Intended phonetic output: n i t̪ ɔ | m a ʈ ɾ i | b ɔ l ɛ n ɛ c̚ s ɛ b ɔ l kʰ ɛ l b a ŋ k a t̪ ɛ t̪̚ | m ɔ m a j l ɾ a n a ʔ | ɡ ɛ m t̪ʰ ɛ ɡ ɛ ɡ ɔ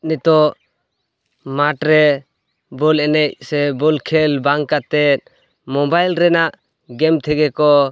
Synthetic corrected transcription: n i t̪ ɔ | m a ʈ ɾ ɛ | b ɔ l ɛ n ɛ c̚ s ɛ b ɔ l kʰ ɛ l b a ŋ k a t̪ ɛ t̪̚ | m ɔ b a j l ɾ ɛ n a ʔ | ɡ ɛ m t̪ʰ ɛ ɡ ɛ k ɔ